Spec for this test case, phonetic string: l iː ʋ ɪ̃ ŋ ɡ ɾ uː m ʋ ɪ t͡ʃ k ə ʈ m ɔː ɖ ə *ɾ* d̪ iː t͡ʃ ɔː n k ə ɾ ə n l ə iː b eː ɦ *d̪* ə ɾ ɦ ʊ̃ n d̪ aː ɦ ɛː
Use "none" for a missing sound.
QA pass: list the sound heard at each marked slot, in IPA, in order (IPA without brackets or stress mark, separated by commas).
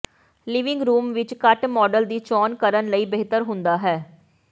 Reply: l, t̪